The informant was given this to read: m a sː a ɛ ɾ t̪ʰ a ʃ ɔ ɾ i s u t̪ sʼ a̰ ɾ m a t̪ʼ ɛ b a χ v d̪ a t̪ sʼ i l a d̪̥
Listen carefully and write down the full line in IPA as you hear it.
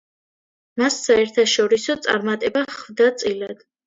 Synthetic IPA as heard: m a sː a ɛ ɾ t̪ʰ a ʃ ɔ ɾ i s ɔ t̪ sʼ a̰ ɾ m a t̪ʼ ɛ b a χ v d̪ a t̪ sʼ i l a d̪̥

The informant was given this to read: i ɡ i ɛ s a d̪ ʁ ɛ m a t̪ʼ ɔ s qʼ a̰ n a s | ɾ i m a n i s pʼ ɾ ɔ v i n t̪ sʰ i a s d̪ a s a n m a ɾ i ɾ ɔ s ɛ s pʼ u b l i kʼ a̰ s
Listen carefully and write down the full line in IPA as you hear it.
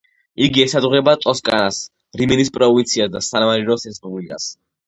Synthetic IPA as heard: i ɡ i ɛ s a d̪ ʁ ɛ b a t̪ʼ ɔ s kʼ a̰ n a s | ɾ i m ɛ n i s pʼ ɾ ɔ v i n t̪ sʰ i a s d̪ a s a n m a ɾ i ɾ ɔ s ɛ s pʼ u b l i kʼ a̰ s

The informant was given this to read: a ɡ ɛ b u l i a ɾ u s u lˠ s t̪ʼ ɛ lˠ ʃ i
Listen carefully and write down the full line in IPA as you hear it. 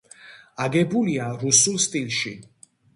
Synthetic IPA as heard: a ɡ ɛ b u l i a ɾ u s u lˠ s t̪ʼ i lˠ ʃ i

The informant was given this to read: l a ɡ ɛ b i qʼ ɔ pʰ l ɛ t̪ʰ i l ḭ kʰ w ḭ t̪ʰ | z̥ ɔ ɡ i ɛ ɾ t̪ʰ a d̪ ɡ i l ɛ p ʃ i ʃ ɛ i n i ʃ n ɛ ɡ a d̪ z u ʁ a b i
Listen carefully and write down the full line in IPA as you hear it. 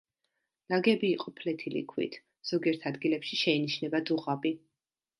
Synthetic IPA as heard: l a ɡ ɛ b iː qʼ ɔ pʰ l ɛ t̪ʰ i l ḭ kʰ w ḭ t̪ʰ | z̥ ɔ ɡ i ɛ ɾ t̪ʰ a d̪ ɡ i l ɛ p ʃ i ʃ ɛ i n i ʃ n ɛ b a d̪ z u ʁ a b i

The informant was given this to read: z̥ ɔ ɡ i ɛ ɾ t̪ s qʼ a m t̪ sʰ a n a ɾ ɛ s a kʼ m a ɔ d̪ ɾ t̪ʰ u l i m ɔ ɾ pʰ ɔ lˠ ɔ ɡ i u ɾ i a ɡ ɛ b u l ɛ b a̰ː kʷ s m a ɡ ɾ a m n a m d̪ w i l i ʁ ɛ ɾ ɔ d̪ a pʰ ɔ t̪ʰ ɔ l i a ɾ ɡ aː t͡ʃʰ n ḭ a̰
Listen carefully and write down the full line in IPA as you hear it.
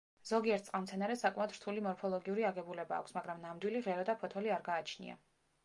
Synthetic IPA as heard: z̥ ɔ ɡ i ɛ ɾ t̪ s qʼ a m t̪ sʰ ɛ n a ɾ ɛ s a kʼ m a ɔ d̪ ɾ t̪ʰ u l i m ɔ ɾ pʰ ɔ lˠ ɔ ɡ i u ɾ i a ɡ ɛ b u l ɛ b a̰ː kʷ s m a ɡ ɾ a m n a m d̪ w i l i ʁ ɛ ɾ ɔ d̪ a pʰ ɔ t̪ʰ ɔ l i a ɾ ɡ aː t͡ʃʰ n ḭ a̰

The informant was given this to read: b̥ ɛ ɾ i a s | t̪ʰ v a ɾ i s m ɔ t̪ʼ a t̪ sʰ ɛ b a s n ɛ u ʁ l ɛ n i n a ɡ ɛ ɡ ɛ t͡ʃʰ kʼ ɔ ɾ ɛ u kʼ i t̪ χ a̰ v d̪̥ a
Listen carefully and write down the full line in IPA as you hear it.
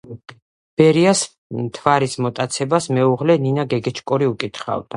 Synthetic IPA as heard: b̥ ɛ ɾ i a s | t̪ʰ v a ɾ i s m ɔ t̪ʼ a t̪ sʰ ɛ b a s m ɛ u ʁ l ɛ n i n a ɡ ɛ ɡ ɛ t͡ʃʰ kʼ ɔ ɾ i u kʼ i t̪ χ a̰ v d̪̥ a

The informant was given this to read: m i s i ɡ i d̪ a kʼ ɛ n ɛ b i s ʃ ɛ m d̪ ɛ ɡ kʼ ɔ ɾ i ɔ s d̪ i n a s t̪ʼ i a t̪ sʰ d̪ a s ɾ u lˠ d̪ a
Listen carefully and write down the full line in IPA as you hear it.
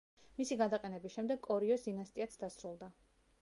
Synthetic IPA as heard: m i s i ɡ a d̪ a qʼ ɛ n ɛ b i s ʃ ɛ m d̪ ɛ ɡ kʼ ɔ ɾ i ɔ s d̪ i n a s t̪ʼ i a t̪ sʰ d̪ a s ɾ u lˠ d̪ a

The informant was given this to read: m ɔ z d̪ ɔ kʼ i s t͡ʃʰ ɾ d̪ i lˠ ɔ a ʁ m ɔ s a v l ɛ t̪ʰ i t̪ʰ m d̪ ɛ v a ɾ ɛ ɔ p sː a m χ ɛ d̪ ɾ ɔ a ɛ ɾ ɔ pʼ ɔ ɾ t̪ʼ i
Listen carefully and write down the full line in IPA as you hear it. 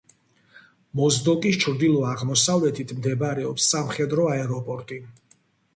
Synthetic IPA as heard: m ɔ z d̪ ɔ kʼ i s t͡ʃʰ ɾ d̪ i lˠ ɔ a ʁ m ɔ s a v l ɛ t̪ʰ i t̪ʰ m d̪ ɛ b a ɾ ɛ ɔ p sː a m χ ɛ d̪ ɾ ɔ a ɛ ɾ ɔ pʼ ɔ ɾ t̪ʼ i

